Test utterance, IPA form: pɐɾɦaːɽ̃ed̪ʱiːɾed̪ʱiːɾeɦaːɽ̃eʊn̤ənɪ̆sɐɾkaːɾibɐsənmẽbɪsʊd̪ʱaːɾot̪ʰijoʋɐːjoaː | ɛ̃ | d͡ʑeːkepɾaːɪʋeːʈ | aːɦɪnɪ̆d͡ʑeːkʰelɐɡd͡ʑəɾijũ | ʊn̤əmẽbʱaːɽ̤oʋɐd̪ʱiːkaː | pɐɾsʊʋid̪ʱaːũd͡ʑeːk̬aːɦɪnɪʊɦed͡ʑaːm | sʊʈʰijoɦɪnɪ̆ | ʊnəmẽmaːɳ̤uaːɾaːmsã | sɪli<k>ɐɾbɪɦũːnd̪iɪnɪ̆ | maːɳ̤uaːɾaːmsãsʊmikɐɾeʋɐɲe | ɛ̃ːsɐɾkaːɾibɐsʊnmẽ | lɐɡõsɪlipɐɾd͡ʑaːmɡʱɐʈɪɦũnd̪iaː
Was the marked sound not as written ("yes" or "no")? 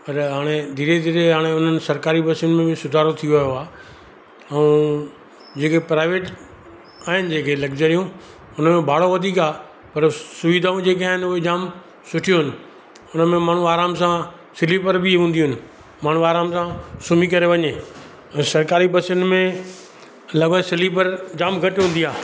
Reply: yes